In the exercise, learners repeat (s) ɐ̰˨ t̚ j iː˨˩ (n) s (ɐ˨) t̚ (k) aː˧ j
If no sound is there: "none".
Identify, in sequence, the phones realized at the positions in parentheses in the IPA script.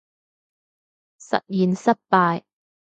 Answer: s, n, ɐ˥, p

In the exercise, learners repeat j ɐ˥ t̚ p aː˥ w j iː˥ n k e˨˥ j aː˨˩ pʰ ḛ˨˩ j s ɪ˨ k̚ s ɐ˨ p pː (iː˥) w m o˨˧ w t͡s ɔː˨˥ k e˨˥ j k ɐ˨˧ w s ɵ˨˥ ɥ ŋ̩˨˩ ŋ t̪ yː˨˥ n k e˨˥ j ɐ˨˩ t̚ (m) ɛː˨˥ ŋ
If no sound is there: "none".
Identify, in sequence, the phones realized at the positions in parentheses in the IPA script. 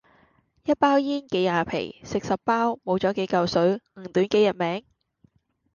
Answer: aː˥, m

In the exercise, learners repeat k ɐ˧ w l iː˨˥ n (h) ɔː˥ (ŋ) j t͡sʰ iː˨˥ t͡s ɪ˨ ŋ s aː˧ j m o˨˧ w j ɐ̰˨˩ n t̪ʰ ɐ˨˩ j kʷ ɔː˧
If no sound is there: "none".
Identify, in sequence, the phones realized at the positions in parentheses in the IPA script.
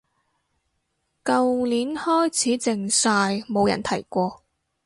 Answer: h, none

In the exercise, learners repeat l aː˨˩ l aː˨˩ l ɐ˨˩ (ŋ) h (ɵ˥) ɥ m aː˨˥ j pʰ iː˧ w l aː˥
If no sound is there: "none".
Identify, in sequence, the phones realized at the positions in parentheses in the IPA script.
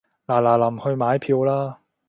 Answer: m, ɵ˧

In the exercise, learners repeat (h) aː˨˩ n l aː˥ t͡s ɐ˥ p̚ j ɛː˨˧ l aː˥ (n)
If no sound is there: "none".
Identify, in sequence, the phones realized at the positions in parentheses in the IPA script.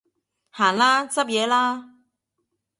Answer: h, none

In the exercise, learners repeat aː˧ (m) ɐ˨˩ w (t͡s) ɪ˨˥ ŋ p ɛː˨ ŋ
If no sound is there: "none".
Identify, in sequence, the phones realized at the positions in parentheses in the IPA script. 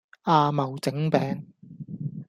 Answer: m, t͡s

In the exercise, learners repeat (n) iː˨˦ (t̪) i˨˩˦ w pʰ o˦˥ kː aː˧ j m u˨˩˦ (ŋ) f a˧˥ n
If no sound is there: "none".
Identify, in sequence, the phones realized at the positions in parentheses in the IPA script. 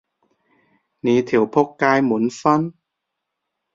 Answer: n, t̪ʰ, n

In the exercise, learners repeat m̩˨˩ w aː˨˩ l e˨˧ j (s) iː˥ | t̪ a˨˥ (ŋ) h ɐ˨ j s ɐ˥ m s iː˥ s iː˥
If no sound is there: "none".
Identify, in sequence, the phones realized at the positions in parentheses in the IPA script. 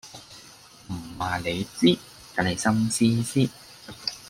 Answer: t͡s, n

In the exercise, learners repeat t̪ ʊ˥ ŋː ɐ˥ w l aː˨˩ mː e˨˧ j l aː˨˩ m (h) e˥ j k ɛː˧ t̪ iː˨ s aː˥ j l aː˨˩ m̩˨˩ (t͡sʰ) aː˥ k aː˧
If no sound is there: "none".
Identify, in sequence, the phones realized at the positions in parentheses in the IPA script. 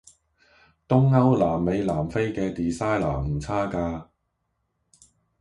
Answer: f, t͡sʰ

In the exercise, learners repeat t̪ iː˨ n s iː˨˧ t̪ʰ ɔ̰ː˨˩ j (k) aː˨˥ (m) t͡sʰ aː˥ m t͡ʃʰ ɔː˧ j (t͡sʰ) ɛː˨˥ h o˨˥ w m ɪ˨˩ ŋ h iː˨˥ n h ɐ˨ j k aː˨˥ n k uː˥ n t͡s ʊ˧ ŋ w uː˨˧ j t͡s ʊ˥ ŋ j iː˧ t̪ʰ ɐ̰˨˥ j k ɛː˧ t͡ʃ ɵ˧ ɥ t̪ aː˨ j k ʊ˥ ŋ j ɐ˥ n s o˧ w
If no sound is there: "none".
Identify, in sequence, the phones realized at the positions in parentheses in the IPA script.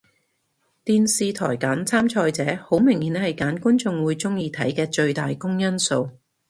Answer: k, n, t͡s

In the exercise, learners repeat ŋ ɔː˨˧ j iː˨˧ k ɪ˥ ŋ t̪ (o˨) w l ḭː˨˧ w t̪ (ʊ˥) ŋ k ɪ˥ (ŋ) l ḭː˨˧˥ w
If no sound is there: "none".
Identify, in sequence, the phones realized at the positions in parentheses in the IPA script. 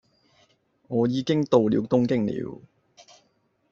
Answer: o˨, ʊ˥, ŋ

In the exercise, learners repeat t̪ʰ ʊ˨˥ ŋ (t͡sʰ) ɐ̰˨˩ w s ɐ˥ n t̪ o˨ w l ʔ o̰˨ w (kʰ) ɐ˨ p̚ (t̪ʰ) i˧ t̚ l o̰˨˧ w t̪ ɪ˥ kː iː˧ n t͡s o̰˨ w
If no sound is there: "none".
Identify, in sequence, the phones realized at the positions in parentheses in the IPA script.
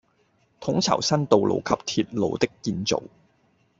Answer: t͡sʰ, kʰ, t̪ʰ

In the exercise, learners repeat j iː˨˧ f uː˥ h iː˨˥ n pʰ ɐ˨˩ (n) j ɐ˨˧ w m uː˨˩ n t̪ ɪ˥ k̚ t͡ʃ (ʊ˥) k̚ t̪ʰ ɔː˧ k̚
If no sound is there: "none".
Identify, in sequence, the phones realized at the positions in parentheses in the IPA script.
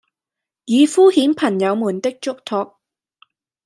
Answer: ŋ, ʊ˥

